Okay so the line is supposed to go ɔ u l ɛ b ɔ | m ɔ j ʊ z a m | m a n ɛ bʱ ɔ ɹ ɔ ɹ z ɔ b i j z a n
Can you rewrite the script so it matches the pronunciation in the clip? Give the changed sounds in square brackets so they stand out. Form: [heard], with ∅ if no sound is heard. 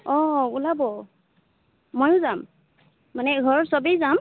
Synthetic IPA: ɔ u l [a] b ɔ | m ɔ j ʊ z a m | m a n ɛ [ɡʱ] ɔ ɹ ɔ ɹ [s] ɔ b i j z a [m]